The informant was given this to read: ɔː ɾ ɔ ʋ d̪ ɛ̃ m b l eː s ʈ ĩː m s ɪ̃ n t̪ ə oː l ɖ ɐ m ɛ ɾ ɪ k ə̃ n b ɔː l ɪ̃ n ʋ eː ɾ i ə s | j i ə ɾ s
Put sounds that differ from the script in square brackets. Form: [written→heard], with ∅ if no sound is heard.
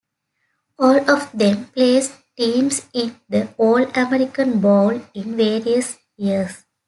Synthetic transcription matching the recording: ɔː [ɾ→l] ɔ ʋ d̪ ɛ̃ m [b→p] l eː s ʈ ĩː m s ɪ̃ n [t̪→d̪] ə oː l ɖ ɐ m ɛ ɾ ɪ k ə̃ n b ɔː l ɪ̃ n ʋ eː ɾ i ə s | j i ə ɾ s